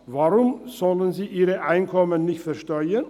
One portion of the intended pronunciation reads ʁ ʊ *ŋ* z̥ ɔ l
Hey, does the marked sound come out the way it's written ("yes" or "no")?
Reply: no